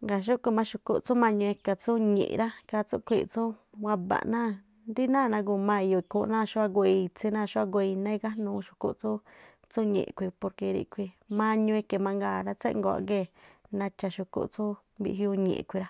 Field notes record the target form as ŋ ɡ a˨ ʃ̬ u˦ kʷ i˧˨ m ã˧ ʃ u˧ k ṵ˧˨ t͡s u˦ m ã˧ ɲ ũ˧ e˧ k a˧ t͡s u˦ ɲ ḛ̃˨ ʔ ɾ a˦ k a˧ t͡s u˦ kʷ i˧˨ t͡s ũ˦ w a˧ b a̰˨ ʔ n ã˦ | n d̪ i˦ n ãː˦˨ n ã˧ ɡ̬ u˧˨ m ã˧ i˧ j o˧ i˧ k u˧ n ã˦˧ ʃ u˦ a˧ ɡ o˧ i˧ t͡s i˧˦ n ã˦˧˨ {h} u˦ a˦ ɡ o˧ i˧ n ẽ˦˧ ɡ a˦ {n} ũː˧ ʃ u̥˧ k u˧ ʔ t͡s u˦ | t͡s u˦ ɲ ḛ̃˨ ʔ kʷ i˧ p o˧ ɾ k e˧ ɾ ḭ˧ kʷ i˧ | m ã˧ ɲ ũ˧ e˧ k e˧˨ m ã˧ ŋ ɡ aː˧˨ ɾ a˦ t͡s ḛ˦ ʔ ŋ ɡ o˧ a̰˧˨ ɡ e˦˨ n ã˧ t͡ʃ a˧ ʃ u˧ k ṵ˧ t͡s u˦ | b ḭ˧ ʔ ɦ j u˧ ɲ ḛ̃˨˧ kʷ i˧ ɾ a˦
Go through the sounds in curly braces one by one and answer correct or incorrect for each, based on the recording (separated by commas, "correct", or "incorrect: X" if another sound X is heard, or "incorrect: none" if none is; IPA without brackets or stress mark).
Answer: incorrect: ʃ, correct